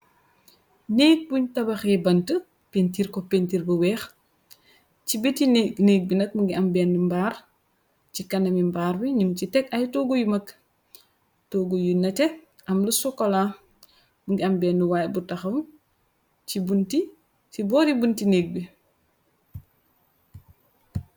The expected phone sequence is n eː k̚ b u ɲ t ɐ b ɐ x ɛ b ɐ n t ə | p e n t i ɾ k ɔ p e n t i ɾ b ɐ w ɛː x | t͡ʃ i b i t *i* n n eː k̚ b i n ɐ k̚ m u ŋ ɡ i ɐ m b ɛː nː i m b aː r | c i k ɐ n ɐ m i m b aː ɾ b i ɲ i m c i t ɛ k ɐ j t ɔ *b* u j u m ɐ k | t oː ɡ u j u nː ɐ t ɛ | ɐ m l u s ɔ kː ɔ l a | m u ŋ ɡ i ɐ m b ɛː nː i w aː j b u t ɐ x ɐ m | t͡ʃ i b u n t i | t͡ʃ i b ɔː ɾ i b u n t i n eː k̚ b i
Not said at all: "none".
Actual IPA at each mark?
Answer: i, ɡ

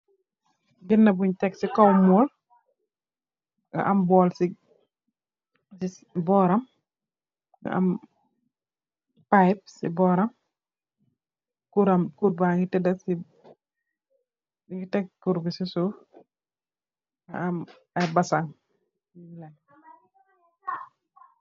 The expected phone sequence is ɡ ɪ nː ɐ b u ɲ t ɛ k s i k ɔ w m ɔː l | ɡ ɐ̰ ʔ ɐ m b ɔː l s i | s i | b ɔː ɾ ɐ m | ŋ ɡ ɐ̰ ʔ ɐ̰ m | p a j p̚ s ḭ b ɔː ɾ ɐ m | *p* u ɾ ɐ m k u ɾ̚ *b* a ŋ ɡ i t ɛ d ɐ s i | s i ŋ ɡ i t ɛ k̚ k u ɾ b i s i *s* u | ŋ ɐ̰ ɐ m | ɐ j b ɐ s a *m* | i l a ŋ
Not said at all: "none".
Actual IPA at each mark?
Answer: k, b, s, ŋ

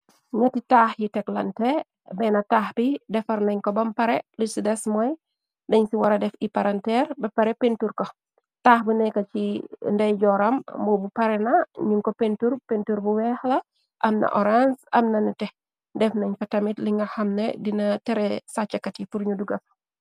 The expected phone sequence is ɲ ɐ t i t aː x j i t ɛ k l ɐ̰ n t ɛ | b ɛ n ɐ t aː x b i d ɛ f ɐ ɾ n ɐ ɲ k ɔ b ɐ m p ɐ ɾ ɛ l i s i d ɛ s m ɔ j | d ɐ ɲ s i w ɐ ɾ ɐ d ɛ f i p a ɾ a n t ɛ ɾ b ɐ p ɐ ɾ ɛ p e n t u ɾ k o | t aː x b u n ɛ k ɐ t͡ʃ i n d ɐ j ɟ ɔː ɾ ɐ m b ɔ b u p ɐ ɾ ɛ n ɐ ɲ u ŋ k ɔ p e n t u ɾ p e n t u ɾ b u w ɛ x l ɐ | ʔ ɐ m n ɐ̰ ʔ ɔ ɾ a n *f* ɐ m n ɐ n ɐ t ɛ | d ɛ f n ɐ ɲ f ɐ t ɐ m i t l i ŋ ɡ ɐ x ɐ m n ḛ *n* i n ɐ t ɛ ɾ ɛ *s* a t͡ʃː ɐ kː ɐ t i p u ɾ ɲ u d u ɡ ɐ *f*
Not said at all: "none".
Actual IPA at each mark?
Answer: s, d, s, f

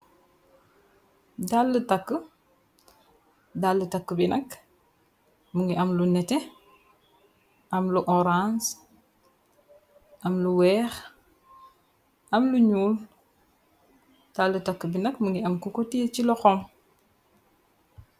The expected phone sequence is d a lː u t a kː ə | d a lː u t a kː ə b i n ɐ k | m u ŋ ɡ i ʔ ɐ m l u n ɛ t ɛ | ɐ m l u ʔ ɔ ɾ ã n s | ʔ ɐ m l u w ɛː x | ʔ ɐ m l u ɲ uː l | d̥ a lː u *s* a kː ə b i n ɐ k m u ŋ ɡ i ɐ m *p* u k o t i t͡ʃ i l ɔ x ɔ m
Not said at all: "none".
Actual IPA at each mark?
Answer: t, k

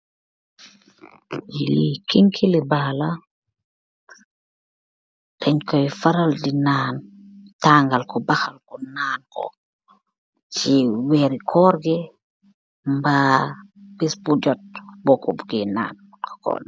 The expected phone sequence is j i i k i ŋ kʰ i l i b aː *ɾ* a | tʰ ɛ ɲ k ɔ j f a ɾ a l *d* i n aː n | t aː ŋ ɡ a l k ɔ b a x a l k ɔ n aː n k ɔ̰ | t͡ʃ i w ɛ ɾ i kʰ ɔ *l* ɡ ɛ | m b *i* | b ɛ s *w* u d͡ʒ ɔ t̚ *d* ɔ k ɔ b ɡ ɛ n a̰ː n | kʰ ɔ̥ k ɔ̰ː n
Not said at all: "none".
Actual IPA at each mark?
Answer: l, d, ɾ, a, b, b

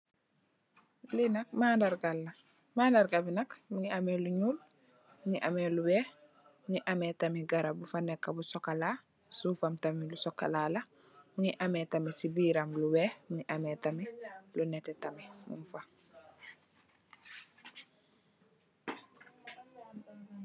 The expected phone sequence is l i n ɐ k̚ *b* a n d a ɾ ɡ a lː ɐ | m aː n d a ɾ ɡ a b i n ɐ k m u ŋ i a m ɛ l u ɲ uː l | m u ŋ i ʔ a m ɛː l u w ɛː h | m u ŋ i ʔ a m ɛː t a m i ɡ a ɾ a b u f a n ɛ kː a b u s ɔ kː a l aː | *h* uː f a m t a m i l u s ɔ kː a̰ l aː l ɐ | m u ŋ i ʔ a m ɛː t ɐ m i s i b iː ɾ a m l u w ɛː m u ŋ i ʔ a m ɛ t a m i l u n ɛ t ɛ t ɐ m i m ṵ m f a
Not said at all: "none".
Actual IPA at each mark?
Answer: m, s

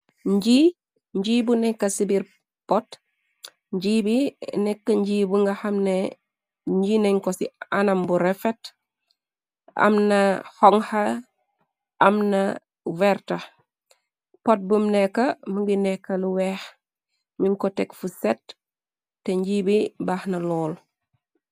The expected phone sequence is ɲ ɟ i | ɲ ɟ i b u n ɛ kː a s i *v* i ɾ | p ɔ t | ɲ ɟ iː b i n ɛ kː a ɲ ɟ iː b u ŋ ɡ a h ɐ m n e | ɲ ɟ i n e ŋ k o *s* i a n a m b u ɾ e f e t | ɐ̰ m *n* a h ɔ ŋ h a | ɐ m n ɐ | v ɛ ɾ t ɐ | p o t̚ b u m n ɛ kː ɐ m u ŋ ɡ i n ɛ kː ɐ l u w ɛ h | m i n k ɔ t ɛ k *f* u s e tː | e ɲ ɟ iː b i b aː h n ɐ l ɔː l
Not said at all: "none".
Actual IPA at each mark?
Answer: b, s, n, f

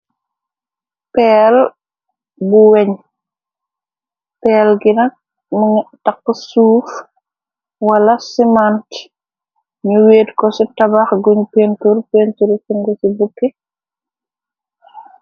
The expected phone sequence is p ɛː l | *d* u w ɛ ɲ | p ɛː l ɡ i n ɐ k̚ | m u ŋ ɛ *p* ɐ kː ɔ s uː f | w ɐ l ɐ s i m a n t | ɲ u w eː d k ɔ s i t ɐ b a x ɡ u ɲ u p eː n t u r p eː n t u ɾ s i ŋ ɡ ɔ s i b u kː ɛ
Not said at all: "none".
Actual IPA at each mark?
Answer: b, t

